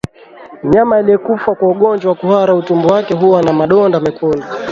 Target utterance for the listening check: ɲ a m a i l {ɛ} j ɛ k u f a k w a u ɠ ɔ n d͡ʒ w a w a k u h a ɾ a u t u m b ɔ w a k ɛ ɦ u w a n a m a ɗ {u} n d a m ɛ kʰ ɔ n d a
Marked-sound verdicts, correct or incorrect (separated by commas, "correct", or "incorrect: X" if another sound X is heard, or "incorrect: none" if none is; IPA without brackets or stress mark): incorrect: i, incorrect: ɔ